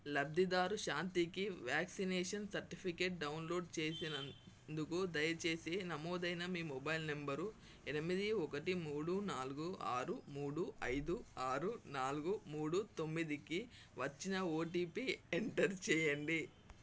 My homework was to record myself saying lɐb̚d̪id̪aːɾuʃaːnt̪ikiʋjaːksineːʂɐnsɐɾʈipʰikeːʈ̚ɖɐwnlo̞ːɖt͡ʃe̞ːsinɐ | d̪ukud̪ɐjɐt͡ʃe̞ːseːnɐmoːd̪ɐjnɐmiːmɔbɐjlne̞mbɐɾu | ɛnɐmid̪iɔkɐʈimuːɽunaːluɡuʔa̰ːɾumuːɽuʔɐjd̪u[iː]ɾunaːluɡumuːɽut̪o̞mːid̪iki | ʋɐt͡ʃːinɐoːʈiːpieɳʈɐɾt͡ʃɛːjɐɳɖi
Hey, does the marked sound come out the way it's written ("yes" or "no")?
no